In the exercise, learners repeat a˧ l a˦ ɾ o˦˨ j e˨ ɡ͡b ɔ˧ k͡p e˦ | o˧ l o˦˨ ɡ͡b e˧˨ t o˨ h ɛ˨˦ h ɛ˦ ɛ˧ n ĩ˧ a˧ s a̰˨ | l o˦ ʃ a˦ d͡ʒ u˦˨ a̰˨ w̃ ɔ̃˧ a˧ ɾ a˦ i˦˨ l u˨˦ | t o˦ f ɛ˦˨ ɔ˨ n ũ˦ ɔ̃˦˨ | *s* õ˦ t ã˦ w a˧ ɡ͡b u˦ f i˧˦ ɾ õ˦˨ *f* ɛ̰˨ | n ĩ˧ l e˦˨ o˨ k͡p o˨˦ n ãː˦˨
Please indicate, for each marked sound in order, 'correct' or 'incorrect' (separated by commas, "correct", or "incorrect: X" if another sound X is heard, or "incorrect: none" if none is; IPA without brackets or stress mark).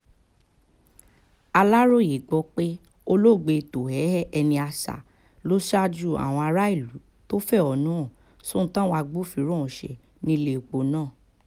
correct, incorrect: ʃ